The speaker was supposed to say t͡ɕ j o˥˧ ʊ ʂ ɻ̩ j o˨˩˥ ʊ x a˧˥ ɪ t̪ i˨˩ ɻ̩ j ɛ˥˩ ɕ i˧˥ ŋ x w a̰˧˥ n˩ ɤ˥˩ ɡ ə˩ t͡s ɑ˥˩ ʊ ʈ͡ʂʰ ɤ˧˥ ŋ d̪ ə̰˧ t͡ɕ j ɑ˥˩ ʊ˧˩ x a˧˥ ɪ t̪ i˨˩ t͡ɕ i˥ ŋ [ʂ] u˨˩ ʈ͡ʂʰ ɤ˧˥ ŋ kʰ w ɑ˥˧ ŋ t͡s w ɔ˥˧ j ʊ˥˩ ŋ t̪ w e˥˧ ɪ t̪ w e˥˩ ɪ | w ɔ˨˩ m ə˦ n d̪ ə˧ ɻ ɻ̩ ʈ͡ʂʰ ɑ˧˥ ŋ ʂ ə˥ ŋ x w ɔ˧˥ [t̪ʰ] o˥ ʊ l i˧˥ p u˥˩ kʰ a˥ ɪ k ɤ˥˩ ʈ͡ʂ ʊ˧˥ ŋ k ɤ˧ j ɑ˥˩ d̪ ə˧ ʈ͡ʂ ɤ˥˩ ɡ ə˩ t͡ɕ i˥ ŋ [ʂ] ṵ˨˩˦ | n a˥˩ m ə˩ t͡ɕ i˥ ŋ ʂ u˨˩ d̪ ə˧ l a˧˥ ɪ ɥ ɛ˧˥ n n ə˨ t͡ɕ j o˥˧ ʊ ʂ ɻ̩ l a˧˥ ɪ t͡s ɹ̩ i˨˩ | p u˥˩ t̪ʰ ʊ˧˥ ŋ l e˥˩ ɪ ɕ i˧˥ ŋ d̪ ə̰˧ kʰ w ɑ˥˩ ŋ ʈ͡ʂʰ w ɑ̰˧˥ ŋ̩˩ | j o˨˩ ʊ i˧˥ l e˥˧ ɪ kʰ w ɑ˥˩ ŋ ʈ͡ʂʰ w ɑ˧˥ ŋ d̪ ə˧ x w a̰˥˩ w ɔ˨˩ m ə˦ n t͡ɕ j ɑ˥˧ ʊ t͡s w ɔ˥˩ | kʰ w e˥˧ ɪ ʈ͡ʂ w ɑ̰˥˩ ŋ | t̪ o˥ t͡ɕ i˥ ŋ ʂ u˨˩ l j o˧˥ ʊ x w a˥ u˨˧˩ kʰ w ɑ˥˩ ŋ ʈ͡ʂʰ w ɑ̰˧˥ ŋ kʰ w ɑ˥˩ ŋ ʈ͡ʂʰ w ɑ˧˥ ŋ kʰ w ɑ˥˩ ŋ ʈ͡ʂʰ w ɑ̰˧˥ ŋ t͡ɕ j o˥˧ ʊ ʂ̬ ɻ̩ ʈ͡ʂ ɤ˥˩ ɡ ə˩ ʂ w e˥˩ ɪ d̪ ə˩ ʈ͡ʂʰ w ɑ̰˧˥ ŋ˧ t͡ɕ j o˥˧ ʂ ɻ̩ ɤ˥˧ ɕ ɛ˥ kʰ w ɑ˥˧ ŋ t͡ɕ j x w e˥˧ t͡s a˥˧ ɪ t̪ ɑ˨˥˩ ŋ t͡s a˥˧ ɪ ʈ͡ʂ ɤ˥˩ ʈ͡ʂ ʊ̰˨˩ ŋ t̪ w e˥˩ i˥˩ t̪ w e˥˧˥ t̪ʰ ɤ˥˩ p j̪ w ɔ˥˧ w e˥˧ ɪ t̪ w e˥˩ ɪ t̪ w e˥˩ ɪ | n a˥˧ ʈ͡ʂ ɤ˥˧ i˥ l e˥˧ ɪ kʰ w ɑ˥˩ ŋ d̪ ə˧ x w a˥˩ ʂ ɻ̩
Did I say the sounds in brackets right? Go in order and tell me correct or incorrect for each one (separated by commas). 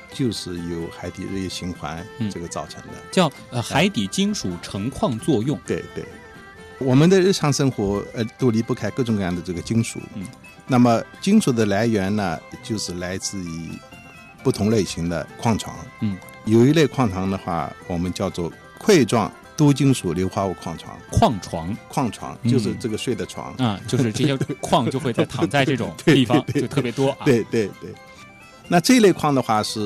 correct, incorrect, correct